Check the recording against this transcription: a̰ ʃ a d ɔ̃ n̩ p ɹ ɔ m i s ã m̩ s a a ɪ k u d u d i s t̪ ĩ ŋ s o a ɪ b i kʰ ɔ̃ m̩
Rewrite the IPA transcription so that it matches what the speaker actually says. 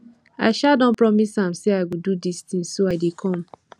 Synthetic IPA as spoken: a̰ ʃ a d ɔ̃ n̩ p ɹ ɔ m i s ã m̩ s e a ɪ ɡ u d u d i s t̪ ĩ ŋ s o a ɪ d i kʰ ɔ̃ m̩